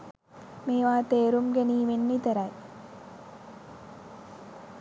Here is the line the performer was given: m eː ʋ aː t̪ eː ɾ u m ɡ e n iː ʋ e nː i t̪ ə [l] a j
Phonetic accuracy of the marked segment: incorrect: ɾ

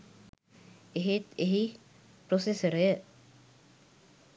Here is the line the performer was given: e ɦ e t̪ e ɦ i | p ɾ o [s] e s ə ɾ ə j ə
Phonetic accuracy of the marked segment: correct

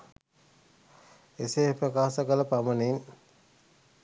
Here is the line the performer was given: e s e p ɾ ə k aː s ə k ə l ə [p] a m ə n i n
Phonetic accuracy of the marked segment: correct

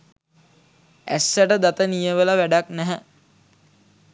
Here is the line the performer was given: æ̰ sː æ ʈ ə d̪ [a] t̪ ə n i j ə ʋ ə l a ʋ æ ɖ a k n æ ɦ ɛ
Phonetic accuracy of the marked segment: correct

